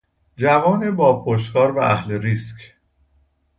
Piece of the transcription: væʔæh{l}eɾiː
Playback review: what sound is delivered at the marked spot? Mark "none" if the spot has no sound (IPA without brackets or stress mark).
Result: l